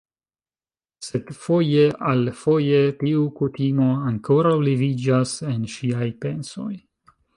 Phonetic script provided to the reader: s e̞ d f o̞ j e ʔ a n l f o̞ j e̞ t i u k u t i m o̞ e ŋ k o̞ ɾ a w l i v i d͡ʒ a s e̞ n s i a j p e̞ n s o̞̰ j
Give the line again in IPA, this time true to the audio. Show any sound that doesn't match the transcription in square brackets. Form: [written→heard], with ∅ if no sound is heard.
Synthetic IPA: s e̞ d f o̞ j e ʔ a [n→∅] l f o̞ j e̞ t i u k u t i m o̞ [e→a] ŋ k o̞ ɾ a w l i v i d͡ʒ a s e̞ n [s→ʃ] i a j p e̞ n s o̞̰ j